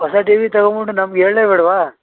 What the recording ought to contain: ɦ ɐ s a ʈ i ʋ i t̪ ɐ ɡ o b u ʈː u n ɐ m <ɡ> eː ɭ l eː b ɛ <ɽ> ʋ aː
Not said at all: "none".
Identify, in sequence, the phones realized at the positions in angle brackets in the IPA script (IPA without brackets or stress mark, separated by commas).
ɡ, ɽ